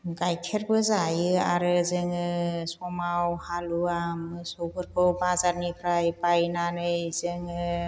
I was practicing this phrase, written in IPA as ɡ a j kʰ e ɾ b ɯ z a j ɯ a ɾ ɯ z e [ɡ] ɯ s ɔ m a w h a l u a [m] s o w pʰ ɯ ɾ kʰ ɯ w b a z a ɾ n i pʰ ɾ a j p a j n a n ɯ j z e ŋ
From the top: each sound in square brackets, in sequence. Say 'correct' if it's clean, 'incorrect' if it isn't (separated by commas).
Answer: incorrect, correct